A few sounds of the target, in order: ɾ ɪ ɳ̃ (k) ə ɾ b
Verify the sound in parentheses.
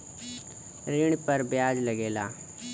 incorrect: p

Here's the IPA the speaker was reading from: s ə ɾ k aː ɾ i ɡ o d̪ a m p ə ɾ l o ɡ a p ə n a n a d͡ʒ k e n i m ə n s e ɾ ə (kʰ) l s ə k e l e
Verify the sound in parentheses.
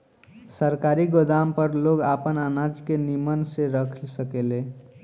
correct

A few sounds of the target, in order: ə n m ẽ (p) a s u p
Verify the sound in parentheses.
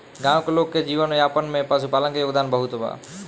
correct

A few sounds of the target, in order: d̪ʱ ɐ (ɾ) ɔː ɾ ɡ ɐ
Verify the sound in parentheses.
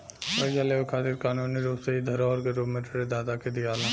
correct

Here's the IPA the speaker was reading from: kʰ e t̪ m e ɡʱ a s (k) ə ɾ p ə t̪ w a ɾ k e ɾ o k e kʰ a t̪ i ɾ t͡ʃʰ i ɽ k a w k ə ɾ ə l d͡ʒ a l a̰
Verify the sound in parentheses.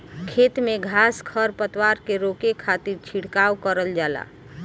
incorrect: kʰ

